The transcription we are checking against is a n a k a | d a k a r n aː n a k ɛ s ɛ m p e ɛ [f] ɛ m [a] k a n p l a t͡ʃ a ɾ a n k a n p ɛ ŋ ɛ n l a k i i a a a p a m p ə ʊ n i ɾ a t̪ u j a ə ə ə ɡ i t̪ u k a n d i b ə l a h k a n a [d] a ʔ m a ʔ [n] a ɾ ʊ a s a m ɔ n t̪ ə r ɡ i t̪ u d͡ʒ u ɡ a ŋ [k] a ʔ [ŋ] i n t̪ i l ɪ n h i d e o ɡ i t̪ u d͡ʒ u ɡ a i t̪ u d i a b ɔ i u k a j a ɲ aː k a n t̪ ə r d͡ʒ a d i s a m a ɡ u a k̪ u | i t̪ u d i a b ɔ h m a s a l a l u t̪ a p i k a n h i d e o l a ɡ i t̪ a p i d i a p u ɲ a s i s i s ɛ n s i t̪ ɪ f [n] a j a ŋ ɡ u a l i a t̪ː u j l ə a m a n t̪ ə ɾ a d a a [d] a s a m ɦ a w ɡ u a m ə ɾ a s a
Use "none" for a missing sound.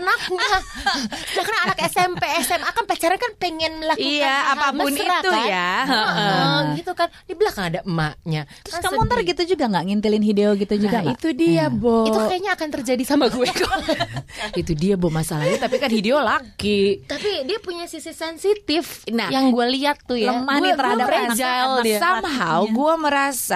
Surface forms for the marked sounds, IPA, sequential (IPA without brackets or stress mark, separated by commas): s, a, d, ɲ, ɡ, ŋ, n, d͡ʒ